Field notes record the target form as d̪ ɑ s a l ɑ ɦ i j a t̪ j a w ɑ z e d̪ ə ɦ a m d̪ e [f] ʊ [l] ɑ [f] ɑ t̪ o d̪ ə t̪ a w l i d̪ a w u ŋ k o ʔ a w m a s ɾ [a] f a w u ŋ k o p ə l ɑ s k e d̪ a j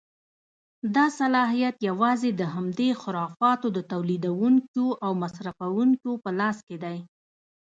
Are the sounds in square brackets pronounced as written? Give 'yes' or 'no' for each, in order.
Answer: no, no, yes, yes

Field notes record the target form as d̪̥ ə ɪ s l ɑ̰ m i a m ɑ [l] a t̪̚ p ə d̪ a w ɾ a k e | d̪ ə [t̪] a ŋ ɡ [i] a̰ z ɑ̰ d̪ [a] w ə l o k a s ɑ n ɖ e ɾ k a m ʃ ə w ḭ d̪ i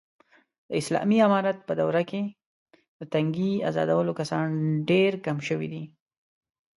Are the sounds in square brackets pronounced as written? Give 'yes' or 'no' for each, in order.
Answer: no, yes, yes, yes

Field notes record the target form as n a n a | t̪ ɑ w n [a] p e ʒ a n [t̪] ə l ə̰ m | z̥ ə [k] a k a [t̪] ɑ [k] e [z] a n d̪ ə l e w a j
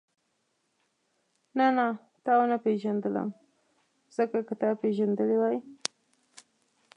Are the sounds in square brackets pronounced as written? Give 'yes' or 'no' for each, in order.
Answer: yes, no, yes, yes, no, no

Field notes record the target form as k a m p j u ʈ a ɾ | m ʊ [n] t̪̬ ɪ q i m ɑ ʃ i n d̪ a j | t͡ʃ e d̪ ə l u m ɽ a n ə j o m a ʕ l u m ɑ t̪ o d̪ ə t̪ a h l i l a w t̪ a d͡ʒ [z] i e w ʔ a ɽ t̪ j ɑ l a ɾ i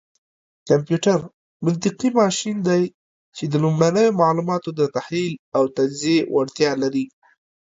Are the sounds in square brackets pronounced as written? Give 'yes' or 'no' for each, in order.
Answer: yes, yes

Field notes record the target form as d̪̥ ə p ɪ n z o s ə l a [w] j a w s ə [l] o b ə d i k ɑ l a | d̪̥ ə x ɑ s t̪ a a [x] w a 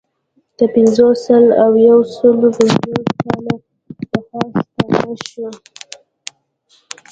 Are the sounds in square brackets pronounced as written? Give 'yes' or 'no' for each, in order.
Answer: yes, yes, no

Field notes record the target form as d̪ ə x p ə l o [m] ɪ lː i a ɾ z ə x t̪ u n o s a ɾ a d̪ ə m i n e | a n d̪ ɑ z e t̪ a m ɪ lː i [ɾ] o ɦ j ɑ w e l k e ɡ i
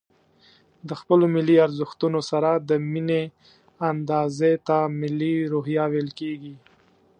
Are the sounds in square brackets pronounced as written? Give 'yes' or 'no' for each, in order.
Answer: yes, yes

